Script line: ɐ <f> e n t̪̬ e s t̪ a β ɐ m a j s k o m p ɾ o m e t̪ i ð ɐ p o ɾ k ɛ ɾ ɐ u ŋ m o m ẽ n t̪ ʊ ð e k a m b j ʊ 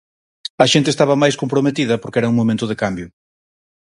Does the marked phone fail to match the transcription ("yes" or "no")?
yes